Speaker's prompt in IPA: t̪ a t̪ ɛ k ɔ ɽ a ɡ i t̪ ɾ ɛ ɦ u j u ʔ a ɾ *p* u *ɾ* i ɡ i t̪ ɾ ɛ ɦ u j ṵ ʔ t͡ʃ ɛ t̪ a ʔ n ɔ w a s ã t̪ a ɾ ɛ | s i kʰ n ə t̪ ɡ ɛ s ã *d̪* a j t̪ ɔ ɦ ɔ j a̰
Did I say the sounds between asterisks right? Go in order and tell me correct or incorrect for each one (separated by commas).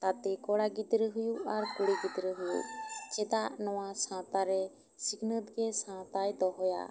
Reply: incorrect, incorrect, incorrect